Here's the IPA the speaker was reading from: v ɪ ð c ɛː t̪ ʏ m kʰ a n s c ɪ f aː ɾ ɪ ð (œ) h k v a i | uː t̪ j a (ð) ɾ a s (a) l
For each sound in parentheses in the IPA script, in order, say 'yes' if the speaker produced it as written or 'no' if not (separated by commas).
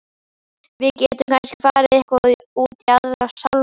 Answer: no, yes, yes